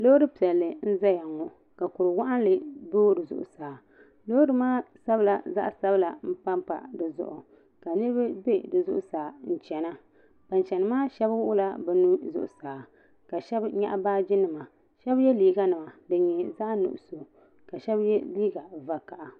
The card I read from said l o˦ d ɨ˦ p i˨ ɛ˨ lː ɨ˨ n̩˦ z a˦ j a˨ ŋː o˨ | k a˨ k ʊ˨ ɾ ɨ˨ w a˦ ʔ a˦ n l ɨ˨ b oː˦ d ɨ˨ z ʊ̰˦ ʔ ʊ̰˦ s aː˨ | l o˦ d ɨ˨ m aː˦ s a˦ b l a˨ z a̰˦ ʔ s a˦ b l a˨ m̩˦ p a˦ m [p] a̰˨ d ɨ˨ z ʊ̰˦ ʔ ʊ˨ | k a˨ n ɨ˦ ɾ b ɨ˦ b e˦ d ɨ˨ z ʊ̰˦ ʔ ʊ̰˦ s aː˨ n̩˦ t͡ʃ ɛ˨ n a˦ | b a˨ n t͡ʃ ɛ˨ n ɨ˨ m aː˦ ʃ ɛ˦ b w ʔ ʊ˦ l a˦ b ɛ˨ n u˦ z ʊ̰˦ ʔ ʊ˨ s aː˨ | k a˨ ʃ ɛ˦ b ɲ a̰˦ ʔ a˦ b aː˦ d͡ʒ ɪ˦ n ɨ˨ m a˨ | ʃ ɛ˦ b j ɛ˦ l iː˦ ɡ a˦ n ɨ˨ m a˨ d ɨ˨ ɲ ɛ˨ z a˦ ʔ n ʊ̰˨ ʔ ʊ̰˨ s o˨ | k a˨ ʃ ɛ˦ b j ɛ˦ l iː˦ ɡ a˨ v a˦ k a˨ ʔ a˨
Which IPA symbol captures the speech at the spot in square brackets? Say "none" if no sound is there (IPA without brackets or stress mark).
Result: p